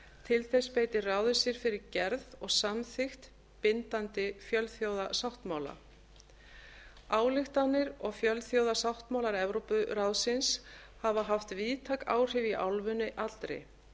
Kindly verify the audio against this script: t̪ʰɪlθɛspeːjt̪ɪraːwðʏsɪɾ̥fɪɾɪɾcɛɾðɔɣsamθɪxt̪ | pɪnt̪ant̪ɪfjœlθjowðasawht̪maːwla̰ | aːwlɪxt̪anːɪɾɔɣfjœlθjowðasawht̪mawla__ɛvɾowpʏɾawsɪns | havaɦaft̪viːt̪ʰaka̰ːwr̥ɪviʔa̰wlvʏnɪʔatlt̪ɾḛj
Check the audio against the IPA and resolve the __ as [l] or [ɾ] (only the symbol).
ɾ